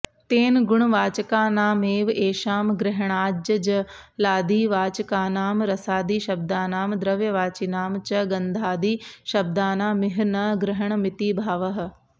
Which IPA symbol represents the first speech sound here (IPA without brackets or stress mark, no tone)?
t̪